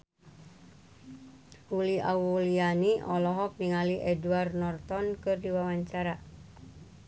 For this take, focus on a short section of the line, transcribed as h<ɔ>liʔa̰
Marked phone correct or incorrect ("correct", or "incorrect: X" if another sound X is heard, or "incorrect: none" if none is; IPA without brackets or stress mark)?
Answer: incorrect: u